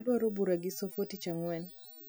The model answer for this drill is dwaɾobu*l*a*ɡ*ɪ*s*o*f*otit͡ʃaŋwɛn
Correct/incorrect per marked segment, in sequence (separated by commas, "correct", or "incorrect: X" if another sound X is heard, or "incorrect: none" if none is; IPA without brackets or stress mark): incorrect: ɾ, correct, correct, correct